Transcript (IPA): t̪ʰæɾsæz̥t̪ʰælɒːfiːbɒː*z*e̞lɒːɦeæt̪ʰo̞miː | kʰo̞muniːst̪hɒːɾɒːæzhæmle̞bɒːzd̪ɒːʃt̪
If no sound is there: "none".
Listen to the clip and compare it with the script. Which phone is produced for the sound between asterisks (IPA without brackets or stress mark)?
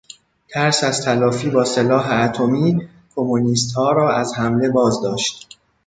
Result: s